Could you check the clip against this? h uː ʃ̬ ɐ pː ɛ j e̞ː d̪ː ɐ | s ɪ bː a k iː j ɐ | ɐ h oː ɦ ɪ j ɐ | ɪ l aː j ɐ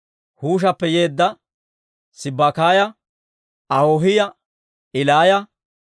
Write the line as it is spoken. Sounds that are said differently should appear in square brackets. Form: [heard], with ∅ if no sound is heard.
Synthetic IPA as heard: h uː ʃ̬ ɐ pː ɛ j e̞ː d̪ː ɐ | s ɪ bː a k [aː] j ɐ | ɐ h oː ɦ ɪ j ɐ | ɪ l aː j ɐ